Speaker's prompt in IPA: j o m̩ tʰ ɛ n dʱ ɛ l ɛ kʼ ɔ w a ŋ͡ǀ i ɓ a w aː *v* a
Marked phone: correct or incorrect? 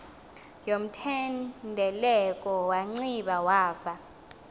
correct